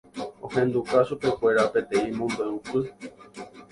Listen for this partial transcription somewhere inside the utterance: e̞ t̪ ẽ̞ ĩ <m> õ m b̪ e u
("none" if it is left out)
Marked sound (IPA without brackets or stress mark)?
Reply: m